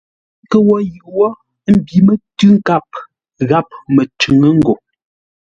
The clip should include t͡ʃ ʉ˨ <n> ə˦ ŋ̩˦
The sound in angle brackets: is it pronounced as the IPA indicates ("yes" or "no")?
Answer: no